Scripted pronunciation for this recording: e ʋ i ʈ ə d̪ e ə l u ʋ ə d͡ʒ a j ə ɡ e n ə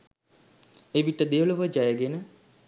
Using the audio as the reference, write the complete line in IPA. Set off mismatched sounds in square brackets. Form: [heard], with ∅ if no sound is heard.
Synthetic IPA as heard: e ʋ i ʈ ə d̪ e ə l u ʋ ə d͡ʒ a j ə ɡ e n ə